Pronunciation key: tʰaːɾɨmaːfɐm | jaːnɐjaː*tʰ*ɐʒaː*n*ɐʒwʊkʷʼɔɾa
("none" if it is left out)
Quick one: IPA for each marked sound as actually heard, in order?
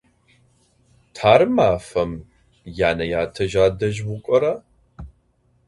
tʰ, d

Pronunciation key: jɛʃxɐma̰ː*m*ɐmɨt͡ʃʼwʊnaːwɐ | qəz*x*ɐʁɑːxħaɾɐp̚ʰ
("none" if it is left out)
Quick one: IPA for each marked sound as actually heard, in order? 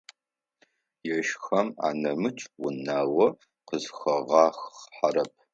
n, x

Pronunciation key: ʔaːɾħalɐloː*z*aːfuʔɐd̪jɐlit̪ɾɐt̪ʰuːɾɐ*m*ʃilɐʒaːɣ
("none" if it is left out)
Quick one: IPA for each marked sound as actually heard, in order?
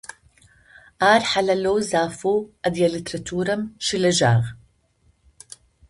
z, m

